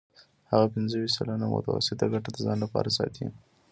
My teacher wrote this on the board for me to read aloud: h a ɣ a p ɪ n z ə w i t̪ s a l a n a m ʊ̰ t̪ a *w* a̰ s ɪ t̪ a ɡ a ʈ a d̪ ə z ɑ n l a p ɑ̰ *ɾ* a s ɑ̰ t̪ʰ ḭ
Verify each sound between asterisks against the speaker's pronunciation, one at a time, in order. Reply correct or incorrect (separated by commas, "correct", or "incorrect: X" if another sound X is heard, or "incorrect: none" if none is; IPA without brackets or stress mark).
correct, correct